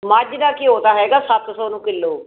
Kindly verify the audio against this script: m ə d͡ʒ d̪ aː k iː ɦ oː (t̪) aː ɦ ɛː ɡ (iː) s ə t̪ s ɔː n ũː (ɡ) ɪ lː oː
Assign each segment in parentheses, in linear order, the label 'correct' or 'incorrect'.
correct, incorrect, incorrect

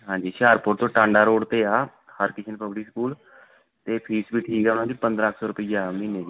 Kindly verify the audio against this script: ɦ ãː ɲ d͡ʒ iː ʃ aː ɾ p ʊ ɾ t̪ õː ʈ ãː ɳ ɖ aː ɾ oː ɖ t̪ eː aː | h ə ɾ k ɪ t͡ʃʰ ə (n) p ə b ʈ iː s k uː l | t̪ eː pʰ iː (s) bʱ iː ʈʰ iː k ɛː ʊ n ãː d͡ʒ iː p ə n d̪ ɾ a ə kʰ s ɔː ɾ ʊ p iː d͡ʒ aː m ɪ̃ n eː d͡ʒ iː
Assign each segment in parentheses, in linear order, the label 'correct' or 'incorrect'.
correct, correct

